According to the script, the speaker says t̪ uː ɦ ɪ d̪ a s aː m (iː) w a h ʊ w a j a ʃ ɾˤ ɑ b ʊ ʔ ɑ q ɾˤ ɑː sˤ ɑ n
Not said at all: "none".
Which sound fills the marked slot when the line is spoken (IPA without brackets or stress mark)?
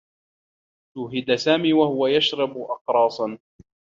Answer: iː